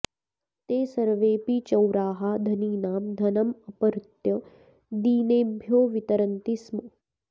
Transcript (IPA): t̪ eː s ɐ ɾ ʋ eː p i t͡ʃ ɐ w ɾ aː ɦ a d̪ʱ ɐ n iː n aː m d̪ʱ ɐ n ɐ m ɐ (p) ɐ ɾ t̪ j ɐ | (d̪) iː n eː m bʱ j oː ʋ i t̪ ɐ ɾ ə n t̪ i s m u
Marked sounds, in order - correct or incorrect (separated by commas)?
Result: correct, correct